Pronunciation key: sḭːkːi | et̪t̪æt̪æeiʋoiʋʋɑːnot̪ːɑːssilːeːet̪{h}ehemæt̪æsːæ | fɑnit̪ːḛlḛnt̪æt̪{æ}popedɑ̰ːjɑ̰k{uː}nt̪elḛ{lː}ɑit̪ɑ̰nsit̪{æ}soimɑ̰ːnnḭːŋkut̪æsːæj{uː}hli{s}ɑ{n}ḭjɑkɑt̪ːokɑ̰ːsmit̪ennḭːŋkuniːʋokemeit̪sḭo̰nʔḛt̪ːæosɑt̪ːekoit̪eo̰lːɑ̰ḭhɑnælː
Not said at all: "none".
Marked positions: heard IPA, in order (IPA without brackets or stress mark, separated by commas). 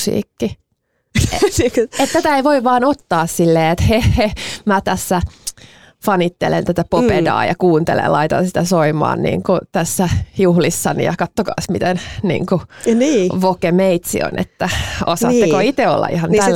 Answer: h, æ, uː, l, æ, u, sː, n